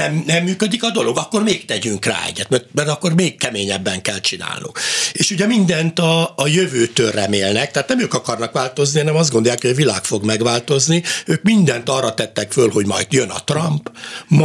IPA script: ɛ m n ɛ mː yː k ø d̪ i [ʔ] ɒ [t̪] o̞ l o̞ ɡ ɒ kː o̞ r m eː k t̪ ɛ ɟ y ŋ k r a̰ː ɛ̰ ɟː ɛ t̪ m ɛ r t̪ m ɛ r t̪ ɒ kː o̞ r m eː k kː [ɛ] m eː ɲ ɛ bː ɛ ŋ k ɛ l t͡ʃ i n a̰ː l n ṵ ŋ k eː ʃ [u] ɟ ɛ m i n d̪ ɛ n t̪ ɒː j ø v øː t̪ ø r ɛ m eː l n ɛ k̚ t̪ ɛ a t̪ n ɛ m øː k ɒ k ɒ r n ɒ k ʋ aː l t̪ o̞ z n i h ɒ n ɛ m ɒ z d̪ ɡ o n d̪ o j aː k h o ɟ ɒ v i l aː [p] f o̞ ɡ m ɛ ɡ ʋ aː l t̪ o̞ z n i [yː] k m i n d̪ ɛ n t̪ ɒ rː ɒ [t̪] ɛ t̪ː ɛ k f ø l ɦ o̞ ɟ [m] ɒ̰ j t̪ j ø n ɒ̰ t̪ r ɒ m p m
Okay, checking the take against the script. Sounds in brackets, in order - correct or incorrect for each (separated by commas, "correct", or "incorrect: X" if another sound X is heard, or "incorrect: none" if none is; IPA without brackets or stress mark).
incorrect: k, incorrect: d̪, correct, correct, incorrect: k, incorrect: øː, correct, correct